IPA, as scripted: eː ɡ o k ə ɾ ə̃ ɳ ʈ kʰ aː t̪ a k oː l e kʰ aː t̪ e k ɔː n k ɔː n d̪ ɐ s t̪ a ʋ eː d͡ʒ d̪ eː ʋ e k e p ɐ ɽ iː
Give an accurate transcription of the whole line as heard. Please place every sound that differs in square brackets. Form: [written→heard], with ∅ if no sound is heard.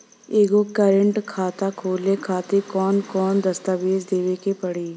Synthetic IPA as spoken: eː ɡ o k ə ɾ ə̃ ɳ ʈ kʰ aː t̪ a [k→kʰ] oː l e kʰ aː t̪ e k ɔː n k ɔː n d̪ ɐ s t̪ a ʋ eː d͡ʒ d̪ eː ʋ e k e p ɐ ɽ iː